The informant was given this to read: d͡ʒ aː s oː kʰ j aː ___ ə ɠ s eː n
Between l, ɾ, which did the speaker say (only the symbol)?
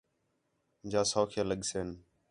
l